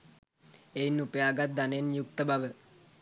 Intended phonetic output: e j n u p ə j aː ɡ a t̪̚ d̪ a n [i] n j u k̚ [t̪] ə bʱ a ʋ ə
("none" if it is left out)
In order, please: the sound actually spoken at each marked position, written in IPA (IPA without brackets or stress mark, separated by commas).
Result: e, t̪